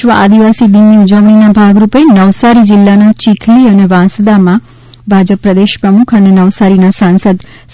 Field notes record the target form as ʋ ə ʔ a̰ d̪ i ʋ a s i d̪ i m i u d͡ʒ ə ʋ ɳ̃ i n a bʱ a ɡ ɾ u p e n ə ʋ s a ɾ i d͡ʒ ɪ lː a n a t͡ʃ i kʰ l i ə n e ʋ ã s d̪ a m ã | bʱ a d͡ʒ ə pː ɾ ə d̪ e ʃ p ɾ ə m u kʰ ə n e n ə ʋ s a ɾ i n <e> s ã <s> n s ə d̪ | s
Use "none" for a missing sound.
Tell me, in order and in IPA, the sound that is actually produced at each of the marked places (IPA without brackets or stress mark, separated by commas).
a, none